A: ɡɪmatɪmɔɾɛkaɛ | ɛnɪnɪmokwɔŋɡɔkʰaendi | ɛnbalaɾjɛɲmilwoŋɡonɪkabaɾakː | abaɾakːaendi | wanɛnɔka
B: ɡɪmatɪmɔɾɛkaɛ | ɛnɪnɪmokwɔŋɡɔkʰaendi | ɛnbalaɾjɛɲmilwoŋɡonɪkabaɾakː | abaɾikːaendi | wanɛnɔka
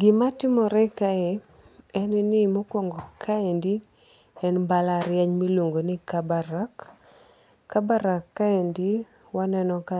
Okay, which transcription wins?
A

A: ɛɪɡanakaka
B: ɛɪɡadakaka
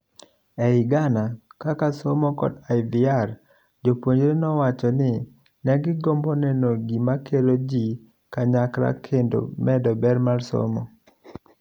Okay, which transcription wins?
A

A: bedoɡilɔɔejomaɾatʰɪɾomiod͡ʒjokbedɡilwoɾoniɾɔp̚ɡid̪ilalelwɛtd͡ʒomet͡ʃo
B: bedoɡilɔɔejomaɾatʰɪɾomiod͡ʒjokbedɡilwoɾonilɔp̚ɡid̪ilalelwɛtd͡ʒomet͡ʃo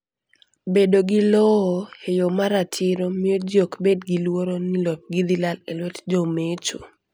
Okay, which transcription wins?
B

